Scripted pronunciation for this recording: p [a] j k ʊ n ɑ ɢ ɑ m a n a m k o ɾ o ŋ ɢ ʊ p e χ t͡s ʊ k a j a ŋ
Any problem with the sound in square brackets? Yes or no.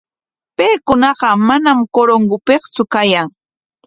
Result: yes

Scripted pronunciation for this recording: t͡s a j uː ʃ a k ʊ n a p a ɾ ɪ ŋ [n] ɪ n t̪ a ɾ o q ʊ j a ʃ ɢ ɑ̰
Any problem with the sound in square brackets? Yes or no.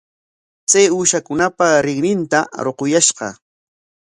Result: no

